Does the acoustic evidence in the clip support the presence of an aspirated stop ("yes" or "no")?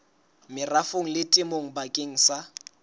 no